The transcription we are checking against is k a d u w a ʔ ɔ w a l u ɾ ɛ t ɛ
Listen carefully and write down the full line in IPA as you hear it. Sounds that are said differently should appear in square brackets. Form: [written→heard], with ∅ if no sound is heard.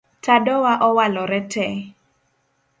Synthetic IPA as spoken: [k→t] a d [u→ɔ] w a ʔ ɔ w a l [u→ɔ] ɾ ɛ t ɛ